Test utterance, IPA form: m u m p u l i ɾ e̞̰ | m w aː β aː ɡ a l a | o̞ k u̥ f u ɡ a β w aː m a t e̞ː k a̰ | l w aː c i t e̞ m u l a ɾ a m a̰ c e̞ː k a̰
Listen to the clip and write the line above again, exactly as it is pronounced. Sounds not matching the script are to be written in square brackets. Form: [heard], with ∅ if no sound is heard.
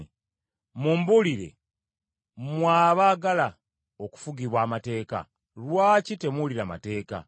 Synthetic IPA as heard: m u m [b] u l i ɾ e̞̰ | m w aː β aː ɡ a l a | o̞ k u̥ f u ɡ [i] β w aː m a t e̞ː k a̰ | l w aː c i t e̞ m u l [i] ɾ a m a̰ [t] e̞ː k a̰